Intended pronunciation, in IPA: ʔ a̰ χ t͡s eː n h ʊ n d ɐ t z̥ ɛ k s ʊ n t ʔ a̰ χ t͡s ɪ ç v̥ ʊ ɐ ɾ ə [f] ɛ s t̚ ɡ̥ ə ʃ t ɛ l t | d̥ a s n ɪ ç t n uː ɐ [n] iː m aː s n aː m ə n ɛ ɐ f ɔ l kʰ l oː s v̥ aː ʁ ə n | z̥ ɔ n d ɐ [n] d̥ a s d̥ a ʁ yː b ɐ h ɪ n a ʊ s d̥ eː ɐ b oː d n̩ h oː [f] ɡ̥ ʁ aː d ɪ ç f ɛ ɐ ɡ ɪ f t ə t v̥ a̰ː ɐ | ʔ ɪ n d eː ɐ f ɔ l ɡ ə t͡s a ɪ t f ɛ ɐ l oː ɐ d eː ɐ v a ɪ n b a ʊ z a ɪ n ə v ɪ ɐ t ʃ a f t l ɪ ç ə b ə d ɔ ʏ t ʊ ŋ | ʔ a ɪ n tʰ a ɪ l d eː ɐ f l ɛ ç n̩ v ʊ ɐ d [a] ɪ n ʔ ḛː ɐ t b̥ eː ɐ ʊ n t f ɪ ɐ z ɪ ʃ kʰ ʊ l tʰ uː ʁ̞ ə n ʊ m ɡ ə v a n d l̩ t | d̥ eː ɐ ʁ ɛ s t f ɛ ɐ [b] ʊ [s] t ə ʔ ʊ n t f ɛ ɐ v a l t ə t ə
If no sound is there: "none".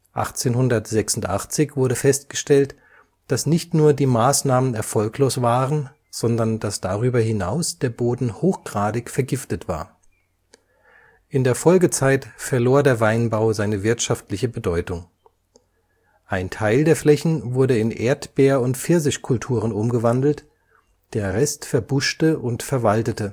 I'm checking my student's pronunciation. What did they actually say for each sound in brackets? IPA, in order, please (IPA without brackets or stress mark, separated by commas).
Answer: f, d, n, x, ə, b, ʃ